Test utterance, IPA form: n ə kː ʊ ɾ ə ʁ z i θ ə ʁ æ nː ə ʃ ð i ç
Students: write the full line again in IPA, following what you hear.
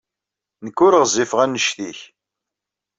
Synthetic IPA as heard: n ə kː ʊ ɾ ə ʁ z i f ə ʁ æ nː ə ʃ θ i ç